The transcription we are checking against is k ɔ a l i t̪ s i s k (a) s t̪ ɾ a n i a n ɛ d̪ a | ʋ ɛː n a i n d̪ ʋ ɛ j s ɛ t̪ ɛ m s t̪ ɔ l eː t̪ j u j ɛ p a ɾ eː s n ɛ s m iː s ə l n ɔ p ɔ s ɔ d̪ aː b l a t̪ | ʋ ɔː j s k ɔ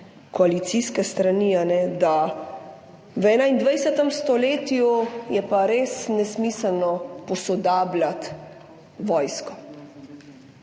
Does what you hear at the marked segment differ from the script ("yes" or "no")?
yes